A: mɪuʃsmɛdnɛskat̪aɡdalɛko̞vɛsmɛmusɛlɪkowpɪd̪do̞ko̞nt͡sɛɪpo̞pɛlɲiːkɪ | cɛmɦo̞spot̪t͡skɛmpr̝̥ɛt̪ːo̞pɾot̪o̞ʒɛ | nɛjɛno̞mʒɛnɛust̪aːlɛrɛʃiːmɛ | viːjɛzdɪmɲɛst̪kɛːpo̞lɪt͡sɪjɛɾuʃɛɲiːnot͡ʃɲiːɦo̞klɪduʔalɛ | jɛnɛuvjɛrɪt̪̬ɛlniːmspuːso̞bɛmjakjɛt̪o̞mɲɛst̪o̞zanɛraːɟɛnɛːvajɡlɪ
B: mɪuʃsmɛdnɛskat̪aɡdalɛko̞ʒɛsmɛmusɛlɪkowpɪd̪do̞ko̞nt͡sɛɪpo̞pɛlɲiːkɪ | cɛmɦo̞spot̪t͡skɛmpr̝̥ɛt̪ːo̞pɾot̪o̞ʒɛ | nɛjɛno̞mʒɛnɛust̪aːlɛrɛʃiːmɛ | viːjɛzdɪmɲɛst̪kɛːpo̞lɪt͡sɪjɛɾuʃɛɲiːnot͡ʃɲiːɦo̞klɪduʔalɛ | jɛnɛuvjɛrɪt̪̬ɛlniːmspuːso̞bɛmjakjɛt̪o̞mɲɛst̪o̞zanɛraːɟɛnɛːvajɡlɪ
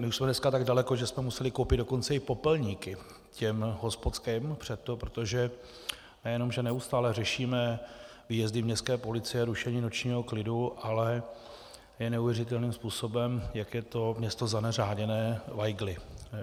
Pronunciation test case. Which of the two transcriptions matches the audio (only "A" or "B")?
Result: B